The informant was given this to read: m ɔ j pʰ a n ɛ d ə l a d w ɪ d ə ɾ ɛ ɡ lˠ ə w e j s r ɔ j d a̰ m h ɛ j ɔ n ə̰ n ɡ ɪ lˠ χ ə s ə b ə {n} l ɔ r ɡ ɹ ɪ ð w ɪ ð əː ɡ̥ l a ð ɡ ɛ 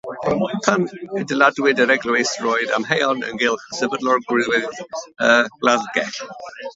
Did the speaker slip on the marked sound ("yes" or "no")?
yes